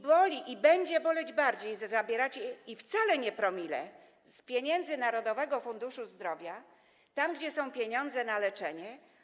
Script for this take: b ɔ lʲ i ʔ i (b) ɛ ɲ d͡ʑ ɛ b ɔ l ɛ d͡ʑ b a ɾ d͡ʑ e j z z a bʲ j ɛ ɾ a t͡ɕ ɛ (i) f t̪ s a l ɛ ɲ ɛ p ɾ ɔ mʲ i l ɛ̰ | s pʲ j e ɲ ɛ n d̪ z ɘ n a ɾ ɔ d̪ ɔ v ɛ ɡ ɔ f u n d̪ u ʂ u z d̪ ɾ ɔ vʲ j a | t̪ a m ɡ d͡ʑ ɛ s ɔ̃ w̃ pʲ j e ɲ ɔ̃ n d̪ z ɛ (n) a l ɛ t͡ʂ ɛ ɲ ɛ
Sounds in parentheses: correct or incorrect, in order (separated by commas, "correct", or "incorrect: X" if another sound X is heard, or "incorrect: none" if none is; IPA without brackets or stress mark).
correct, correct, correct